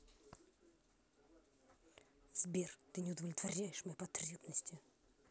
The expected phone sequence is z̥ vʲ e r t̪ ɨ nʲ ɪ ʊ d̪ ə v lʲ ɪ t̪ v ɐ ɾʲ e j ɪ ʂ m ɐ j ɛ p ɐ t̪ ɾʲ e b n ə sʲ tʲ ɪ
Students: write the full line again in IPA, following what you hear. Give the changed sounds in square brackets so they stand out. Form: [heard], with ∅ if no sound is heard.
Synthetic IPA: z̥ [bʲ] e r t̪ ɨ nʲ ɪ ʊ d̪ ə v lʲ ɪ t̪ v ɐ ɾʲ [æ] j ɪ ʂ m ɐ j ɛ p ɐ t̪ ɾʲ e b n ə sʲ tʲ ɪ